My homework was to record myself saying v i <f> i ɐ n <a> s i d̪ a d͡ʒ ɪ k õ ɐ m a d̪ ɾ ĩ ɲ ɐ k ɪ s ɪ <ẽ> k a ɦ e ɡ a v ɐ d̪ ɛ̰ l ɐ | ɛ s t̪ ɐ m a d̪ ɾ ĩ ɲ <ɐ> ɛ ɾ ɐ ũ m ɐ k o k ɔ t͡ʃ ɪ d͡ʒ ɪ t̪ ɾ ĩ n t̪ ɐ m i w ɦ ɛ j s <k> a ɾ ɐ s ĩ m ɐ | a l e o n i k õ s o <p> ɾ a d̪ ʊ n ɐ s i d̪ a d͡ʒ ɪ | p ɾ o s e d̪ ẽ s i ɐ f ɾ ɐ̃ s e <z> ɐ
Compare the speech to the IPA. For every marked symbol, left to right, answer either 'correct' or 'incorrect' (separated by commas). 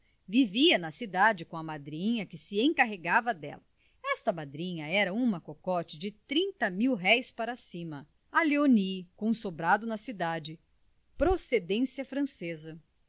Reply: incorrect, incorrect, correct, correct, incorrect, incorrect, correct